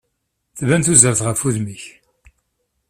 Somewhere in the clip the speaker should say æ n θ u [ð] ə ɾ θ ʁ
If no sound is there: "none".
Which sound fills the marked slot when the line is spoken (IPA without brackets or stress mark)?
z